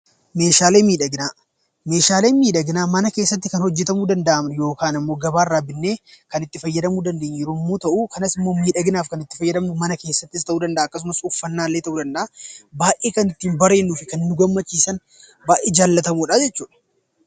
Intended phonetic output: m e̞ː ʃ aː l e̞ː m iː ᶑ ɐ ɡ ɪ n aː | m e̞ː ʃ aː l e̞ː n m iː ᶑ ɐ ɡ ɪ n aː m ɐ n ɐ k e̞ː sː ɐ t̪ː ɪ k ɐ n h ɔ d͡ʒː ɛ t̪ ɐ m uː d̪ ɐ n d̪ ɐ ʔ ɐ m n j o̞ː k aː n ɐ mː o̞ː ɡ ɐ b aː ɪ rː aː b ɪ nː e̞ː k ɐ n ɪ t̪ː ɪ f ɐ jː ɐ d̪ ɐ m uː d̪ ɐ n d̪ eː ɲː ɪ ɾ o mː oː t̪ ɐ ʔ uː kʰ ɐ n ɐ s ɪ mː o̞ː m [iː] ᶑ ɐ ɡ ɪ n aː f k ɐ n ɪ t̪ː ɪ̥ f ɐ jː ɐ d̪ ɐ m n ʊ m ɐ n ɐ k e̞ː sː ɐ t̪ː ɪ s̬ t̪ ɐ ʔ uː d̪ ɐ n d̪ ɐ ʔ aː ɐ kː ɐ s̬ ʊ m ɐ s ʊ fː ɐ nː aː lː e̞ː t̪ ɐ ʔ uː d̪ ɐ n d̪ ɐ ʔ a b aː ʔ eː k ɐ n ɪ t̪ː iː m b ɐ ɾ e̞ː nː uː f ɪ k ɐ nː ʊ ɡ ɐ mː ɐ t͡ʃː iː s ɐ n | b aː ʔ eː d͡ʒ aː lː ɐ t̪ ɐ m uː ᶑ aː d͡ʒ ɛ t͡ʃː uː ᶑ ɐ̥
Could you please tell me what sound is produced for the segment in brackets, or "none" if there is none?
iː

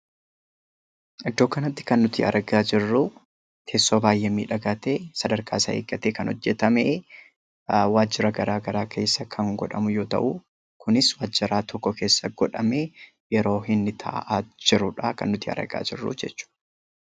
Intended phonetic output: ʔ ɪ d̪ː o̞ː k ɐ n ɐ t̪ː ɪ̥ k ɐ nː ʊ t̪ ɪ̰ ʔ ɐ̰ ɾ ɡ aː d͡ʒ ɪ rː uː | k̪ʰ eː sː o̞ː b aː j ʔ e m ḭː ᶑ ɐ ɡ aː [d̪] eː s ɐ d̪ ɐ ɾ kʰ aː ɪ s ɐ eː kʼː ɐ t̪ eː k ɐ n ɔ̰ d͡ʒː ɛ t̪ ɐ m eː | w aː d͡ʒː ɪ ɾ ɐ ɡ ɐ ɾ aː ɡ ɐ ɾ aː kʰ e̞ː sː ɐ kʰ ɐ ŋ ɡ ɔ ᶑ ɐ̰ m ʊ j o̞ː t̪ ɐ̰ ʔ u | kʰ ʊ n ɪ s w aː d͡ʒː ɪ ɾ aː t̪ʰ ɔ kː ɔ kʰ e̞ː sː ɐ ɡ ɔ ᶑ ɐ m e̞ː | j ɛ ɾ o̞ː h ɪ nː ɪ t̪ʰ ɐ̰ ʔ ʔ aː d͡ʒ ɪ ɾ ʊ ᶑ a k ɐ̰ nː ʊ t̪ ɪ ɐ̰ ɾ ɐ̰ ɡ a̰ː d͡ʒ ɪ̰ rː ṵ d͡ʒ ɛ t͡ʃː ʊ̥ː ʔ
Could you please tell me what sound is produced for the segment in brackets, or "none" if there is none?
t̪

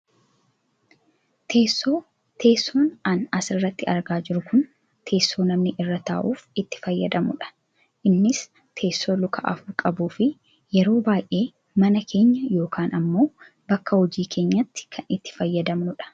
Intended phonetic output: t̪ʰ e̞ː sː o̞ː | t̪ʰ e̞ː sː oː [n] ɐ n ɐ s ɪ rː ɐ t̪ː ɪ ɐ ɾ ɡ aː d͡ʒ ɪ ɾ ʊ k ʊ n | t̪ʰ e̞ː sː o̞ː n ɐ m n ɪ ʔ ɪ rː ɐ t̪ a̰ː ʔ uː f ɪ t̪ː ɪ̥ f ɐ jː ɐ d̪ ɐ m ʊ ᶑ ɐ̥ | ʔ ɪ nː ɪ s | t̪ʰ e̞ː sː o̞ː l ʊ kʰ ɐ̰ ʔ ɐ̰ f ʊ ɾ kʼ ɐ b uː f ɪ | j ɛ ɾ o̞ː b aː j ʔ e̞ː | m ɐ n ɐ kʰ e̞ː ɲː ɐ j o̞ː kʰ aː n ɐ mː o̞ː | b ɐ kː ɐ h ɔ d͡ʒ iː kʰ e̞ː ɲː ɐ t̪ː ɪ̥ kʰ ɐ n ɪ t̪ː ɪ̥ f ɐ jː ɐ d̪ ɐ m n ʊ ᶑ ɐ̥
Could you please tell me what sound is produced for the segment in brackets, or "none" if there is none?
n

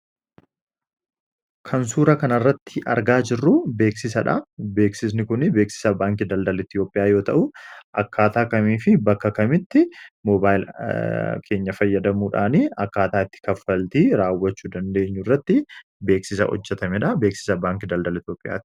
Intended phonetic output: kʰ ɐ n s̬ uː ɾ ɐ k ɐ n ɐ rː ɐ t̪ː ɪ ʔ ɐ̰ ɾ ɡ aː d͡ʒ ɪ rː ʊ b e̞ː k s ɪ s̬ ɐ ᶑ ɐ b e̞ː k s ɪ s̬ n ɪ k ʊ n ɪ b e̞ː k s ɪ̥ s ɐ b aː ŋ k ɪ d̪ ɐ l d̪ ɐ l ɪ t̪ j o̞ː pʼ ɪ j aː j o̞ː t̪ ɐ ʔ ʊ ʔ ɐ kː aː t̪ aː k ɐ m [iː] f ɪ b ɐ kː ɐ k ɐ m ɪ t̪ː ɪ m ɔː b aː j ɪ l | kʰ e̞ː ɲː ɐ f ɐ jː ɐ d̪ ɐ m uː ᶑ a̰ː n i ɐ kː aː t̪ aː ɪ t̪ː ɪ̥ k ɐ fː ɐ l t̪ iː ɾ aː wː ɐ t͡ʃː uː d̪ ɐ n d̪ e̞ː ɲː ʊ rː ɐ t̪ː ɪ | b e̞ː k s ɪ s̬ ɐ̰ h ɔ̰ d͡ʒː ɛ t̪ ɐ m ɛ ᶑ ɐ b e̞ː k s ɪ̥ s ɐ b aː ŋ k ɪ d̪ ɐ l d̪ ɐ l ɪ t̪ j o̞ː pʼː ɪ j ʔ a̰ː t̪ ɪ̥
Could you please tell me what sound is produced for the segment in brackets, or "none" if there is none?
iː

